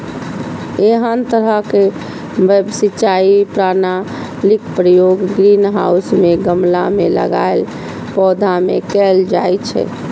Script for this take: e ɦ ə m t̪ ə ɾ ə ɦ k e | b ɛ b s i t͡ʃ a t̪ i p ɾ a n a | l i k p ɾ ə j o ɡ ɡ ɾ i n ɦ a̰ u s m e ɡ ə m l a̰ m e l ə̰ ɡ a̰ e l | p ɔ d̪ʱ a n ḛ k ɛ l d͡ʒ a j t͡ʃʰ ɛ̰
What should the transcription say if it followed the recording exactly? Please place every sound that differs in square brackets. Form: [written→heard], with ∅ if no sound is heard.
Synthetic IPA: e ɦ ə [m→n] t̪ ə ɾ ə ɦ k e | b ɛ b s i t͡ʃ a [t̪→∅] i p ɾ a n a | l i k p ɾ ə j o ɡ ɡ ɾ i n ɦ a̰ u s m e ɡ ə m l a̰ m e l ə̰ ɡ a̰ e l | p ɔ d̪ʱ a [n→m] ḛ k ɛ l d͡ʒ a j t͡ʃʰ ɛ̰